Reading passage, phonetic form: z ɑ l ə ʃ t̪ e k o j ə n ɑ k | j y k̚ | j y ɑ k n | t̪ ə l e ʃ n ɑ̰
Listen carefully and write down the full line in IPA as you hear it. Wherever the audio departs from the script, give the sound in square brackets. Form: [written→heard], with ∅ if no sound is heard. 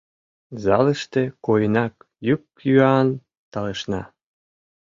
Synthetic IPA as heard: z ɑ l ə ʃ t̪ e k o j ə n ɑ k | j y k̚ | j y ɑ [k→∅] n | t̪ [ə→ɑ] l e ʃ n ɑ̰